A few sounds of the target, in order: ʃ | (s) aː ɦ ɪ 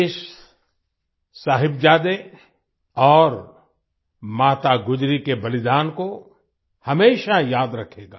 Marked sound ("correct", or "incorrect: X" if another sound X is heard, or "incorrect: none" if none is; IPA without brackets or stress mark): correct